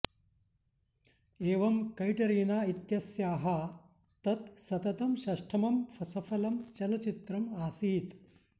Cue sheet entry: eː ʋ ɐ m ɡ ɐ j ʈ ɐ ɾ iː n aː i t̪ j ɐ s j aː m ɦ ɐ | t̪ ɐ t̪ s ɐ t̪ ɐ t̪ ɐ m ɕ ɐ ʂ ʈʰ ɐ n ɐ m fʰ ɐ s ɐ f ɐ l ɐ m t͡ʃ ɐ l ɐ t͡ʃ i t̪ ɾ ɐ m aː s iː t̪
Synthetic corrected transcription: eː ʋ ɐ m k ɐ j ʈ ɐ ɾ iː n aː i t̪ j ɐ s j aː ɦ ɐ | t̪ ɐ t̪ s ɐ t̪ ɐ t̪ ɐ m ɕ ɐ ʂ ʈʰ ɐ m ɐ m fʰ ɐ s ɐ f ɐ l ɐ m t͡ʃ ɐ l ɐ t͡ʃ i t̪ ɾ ɐ m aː s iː t̪